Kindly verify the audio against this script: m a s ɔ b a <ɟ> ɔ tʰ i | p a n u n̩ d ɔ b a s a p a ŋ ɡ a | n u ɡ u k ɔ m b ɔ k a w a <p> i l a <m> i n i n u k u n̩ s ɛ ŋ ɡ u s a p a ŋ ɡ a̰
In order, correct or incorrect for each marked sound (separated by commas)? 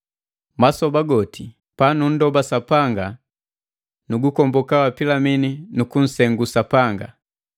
incorrect, correct, correct